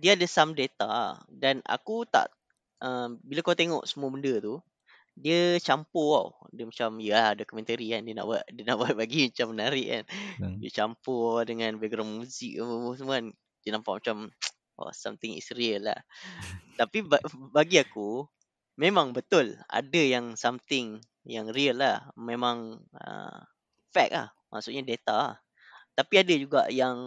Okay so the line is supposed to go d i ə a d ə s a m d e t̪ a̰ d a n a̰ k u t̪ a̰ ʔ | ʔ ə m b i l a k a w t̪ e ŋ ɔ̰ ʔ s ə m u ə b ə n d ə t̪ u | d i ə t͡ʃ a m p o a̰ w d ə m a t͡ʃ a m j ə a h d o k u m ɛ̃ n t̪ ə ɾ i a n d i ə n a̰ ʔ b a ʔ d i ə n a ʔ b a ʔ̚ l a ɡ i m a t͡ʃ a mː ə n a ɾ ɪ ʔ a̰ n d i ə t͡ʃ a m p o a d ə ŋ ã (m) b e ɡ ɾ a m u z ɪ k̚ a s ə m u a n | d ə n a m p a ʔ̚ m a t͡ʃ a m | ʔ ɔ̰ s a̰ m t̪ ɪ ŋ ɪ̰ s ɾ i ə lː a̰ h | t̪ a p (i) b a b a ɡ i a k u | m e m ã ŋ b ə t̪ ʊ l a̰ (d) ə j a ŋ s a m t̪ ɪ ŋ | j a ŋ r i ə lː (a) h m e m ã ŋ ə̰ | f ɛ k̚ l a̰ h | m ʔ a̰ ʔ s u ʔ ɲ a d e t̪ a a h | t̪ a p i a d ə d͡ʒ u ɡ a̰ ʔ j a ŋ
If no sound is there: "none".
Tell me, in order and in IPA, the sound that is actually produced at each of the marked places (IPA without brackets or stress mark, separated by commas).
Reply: n, i, d, a